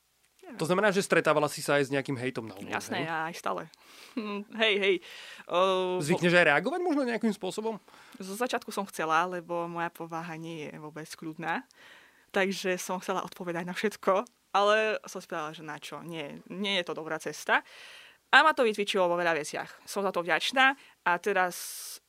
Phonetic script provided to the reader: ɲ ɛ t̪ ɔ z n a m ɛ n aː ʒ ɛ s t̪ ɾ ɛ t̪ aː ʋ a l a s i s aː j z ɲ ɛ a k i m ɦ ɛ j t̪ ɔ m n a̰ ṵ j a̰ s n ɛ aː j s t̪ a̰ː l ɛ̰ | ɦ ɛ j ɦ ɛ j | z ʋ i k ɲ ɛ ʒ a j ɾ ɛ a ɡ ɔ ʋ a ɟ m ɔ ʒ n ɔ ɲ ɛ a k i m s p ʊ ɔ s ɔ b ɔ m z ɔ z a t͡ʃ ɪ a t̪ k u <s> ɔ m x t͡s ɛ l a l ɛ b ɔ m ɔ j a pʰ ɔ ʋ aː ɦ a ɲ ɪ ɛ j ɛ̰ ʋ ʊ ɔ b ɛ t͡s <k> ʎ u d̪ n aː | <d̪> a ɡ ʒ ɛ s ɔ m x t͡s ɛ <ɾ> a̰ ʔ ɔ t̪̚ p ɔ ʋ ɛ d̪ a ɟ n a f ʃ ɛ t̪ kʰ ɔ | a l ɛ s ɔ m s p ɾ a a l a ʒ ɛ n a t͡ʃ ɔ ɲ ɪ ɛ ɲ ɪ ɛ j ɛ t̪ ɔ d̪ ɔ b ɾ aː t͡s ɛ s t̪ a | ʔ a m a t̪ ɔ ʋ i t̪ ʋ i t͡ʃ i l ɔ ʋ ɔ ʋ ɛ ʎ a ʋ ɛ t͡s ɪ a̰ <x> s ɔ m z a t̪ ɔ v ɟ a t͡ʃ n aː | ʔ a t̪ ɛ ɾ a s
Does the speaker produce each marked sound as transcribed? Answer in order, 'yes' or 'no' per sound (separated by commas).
yes, yes, no, no, yes